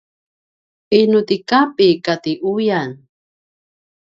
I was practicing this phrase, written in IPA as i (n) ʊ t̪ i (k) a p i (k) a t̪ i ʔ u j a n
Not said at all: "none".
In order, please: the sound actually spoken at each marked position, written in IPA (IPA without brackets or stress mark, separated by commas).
n, k, k